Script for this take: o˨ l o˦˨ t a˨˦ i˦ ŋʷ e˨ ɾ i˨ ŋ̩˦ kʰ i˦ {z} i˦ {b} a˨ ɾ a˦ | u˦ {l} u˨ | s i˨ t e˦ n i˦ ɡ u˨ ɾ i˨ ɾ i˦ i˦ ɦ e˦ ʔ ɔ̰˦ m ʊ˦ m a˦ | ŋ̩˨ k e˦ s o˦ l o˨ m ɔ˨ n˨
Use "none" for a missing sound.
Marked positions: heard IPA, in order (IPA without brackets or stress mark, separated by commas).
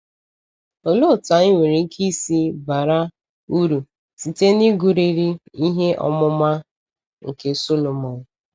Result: s, b, ɾ